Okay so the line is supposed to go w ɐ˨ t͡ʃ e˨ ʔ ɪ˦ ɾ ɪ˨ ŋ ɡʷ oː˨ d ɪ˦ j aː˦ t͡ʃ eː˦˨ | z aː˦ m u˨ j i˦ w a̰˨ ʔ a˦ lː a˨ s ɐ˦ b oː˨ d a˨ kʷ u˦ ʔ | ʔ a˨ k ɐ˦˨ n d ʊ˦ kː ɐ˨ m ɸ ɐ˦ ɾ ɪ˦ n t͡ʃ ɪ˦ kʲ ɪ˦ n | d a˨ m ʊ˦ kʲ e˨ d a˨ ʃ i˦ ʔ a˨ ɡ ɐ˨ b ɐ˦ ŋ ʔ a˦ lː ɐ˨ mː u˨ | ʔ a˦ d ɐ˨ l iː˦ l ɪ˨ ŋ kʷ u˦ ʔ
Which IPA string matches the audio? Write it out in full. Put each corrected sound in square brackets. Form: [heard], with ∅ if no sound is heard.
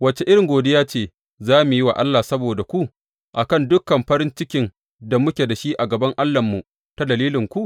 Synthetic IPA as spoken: w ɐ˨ t͡ʃ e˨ ʔ ɪ˦ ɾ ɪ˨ ŋ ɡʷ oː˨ d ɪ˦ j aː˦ t͡ʃ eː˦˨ | z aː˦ m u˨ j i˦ w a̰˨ ʔ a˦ lː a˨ s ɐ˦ b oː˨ d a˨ kʷ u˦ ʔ | ʔ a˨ k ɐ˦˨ n d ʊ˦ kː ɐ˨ m ɸ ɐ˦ ɾ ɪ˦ n t͡ʃ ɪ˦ kʲ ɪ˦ n | d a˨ m ʊ˦ kʲ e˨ d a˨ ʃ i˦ ʔ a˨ ɡ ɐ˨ b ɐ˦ ŋ ʔ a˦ lː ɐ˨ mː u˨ | [t] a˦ d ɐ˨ l iː˦ l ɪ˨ ŋ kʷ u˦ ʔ